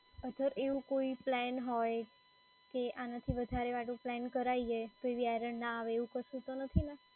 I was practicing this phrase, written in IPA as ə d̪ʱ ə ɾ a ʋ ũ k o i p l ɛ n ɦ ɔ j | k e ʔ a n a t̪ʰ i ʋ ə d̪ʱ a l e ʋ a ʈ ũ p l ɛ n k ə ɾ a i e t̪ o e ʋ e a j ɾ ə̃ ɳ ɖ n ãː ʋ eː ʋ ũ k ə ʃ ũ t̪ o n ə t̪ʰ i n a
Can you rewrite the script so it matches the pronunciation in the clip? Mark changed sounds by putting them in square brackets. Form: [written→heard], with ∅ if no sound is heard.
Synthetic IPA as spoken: ə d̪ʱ ə ɾ [a→e] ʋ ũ k o i p l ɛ n ɦ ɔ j | k e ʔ a n a t̪ʰ i ʋ ə d̪ʱ a [l→ɾ] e ʋ a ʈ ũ p l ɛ n k ə ɾ a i e t̪ o e ʋ [e→i] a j ɾ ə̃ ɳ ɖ n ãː ʋ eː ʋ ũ k ə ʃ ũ t̪ o n ə t̪ʰ i n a